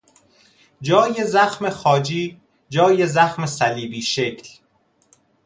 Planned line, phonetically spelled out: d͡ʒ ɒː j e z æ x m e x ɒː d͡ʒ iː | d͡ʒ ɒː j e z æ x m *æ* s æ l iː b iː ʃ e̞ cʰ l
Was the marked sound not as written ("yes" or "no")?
yes